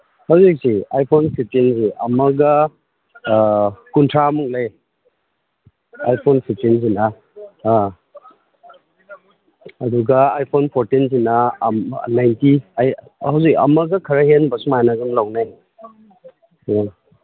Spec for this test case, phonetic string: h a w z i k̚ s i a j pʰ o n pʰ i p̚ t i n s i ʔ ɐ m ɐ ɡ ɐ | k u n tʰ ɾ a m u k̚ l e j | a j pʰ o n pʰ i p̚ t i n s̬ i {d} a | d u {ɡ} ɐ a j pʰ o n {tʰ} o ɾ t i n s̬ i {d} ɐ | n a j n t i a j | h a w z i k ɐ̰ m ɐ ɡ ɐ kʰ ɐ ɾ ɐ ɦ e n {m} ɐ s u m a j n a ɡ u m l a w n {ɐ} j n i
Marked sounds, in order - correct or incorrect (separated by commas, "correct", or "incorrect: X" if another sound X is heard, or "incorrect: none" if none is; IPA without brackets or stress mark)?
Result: incorrect: n, correct, incorrect: pʰ, incorrect: n, incorrect: b, incorrect: a